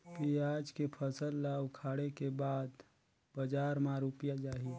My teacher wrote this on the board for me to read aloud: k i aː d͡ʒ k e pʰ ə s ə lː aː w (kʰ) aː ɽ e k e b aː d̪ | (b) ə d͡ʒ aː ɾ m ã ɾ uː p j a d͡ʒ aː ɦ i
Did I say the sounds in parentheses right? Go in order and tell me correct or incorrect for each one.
correct, correct

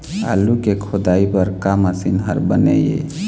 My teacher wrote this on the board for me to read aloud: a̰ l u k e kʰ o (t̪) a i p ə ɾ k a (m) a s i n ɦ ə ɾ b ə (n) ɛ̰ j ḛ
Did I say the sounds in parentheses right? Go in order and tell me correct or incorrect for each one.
incorrect: d̪, correct, correct

